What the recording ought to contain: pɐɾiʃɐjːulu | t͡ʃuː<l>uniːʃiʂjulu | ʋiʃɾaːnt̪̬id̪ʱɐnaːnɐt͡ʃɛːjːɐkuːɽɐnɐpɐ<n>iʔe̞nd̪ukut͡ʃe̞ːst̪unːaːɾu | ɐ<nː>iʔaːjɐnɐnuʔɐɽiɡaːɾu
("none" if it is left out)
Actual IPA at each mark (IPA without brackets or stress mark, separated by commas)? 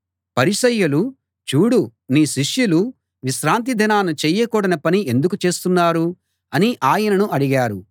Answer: ɽ, n, n